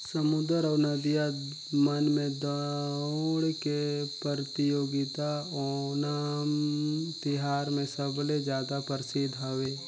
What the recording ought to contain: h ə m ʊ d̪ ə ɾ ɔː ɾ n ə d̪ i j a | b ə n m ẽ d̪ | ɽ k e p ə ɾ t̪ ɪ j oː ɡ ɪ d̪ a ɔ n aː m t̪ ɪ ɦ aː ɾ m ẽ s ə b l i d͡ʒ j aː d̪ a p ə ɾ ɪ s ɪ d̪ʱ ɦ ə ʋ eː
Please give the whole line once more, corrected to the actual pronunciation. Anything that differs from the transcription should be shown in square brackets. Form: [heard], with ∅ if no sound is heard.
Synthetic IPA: [s] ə m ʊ d̪ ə ɾ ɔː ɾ n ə d̪ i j a | [m] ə n m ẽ d̪ | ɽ k e p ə ɾ t̪ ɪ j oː ɡ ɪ [t̪] a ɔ n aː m t̪ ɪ ɦ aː ɾ m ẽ s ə b l [e] d͡ʒ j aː d̪ a p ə ɾ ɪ s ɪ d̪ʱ ɦ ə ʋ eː